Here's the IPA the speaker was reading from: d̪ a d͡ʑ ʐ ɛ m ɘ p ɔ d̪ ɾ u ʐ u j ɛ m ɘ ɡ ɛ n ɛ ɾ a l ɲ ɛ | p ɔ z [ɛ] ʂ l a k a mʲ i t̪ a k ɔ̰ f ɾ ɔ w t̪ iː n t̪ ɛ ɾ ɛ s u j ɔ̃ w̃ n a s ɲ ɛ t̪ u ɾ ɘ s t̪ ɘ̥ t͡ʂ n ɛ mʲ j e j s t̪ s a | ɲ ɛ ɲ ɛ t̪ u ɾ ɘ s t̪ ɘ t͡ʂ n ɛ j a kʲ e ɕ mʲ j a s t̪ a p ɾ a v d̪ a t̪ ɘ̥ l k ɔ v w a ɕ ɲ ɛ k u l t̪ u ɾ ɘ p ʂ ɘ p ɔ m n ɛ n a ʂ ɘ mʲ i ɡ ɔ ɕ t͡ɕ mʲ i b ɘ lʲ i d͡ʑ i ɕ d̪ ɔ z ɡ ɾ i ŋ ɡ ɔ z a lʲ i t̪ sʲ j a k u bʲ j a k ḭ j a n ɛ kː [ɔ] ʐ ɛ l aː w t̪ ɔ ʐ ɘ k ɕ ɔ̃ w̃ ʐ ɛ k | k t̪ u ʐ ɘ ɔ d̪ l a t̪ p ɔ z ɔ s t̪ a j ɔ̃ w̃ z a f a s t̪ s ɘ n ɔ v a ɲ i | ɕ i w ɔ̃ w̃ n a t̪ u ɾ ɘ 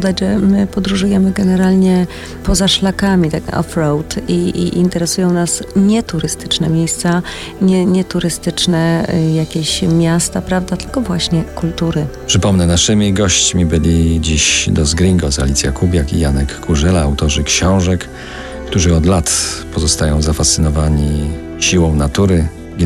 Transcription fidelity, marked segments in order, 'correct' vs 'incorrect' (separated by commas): incorrect, incorrect